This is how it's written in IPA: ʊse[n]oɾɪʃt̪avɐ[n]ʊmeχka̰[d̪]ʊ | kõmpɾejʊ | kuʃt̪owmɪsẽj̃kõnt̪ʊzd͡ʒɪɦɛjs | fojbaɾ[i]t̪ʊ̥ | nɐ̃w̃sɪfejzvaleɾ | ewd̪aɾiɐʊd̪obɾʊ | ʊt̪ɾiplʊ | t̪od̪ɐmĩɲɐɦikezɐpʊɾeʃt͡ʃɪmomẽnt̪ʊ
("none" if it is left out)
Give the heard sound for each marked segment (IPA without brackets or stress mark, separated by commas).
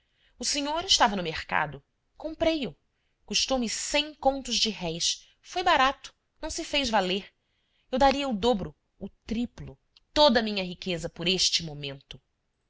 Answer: ɲ, n, d̪, a